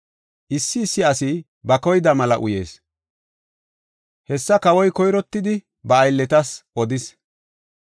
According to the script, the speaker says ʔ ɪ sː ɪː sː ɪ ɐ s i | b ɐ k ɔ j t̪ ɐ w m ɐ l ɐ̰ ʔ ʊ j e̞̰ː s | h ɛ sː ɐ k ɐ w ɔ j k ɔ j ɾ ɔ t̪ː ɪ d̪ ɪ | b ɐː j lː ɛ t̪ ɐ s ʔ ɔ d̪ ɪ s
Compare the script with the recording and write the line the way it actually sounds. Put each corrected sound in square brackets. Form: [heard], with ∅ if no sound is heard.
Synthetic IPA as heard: ʔ ɪ sː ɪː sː ɪ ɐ s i | b ɐ k ɔ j [d̪] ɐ [∅] m ɐ l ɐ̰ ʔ ʊ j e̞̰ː s | h ɛ sː ɐ k ɐ w ɔ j k ɔ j ɾ ɔ t̪ː ɪ d̪ ɪ | b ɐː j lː ɛ t̪ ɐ s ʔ ɔ d̪ ɪ s